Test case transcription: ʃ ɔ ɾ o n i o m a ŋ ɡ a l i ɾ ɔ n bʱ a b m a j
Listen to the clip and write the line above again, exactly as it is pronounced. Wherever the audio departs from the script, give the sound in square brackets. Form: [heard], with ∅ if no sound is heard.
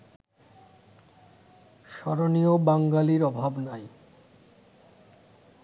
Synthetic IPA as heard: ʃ ɔ ɾ o n i o [b] a ŋ ɡ a l i ɾ ɔ [∅] bʱ a b [n] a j